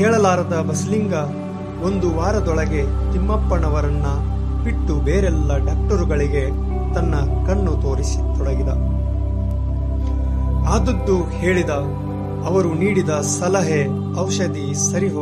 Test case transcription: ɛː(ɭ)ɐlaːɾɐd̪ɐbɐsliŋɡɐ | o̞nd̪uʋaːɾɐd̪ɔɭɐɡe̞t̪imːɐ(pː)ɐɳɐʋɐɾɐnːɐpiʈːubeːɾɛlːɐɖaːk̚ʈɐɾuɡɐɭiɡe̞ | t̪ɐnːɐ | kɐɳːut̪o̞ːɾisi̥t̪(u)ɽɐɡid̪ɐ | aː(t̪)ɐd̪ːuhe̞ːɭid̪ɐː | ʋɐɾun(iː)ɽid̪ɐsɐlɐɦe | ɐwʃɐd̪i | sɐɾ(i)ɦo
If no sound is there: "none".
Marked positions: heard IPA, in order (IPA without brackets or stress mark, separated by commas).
ɭ, pː, ɔ, d̪, iː, i